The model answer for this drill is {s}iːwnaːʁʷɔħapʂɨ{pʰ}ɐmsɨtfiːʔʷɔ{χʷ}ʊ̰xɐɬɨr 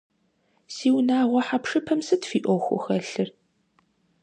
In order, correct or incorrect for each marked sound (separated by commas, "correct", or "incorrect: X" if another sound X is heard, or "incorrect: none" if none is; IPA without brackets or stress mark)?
correct, correct, incorrect: xʷ